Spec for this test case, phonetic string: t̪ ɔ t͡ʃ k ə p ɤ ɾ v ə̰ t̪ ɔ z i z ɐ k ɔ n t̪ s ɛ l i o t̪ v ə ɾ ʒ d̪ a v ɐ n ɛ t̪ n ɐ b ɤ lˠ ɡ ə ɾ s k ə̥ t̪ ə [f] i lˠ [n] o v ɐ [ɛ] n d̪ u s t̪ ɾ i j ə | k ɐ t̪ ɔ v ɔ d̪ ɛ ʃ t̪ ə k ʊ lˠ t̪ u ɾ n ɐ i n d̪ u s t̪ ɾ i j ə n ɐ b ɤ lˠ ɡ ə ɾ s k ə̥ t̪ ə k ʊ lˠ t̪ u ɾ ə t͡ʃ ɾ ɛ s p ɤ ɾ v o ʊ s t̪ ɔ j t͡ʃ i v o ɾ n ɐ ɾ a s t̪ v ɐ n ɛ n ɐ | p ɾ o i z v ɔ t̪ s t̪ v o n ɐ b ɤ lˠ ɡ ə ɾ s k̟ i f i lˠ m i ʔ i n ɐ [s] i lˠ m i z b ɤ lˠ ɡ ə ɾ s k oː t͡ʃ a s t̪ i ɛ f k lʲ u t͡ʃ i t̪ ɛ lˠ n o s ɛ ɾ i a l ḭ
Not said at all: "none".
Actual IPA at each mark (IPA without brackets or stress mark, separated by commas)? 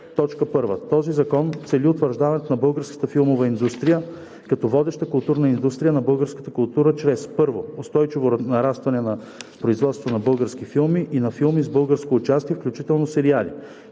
f, m, i, f